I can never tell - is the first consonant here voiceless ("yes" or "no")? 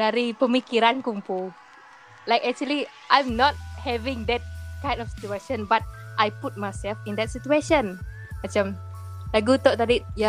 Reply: no